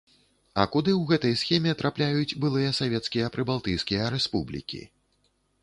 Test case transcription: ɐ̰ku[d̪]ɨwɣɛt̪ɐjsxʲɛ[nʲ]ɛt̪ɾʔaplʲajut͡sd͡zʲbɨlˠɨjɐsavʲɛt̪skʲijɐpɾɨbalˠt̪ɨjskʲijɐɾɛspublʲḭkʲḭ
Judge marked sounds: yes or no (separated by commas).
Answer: yes, no